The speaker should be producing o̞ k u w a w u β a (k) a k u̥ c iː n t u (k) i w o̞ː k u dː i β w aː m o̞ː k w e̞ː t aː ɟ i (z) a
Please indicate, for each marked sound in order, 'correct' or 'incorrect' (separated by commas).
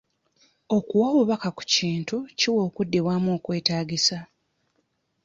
correct, incorrect, incorrect